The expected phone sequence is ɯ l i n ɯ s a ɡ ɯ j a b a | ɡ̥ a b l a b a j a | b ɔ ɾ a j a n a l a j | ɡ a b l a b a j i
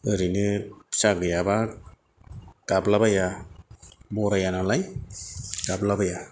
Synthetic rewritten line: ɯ ɾ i n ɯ s a ɡ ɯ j a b a | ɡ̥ a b l a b a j a | b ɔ ɾ a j a n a l a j | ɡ a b l a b a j a